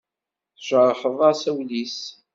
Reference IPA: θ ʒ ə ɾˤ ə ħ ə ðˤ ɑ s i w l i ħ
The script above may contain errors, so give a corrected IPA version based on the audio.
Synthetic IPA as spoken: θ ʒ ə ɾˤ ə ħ ə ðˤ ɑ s æ w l i s